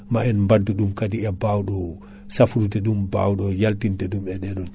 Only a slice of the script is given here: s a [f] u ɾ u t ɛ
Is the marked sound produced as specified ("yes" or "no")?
yes